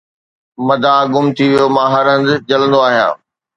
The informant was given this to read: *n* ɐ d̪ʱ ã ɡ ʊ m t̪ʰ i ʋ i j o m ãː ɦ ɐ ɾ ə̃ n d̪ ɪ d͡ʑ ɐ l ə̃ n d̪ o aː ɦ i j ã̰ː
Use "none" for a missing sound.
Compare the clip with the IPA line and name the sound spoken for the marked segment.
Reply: m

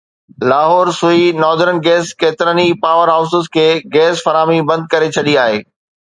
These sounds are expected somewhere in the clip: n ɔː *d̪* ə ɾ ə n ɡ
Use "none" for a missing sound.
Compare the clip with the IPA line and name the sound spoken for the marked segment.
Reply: d̪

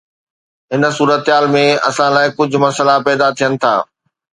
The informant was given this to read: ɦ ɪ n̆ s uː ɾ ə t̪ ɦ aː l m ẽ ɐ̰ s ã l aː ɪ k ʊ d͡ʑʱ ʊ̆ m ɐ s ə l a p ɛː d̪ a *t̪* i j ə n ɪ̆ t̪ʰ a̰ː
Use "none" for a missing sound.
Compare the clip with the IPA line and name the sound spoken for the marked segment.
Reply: t̪ʰ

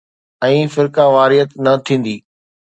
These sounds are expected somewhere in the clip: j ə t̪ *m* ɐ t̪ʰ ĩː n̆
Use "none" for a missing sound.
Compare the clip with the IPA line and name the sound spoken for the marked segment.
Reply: n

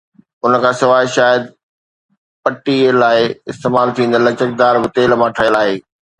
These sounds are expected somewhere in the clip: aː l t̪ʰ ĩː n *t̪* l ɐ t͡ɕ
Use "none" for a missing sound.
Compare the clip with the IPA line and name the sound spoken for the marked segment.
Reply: d̪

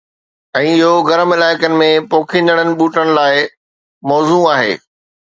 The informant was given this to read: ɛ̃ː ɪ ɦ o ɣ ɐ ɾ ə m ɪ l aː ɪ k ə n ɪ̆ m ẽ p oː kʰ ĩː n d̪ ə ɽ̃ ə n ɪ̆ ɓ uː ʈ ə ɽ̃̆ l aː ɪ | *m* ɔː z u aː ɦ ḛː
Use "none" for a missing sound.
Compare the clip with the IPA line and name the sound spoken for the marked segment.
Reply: m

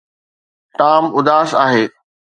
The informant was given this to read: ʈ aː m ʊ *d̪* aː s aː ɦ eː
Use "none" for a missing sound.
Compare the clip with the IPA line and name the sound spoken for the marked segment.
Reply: d̪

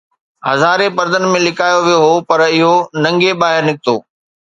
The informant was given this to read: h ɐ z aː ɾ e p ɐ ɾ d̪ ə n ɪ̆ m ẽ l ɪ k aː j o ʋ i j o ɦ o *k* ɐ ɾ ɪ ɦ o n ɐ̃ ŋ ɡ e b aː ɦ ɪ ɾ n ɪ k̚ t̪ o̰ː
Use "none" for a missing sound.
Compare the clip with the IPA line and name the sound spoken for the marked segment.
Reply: p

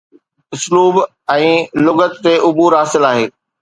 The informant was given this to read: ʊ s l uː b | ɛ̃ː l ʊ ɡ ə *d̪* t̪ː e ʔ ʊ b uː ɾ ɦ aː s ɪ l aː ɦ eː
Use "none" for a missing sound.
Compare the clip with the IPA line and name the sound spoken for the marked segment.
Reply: t̪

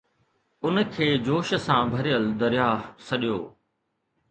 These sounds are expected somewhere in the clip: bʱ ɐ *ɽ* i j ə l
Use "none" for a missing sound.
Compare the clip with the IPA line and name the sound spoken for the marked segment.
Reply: ɾ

